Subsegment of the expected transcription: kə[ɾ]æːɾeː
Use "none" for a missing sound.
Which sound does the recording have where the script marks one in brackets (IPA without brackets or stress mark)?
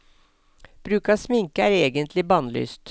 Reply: none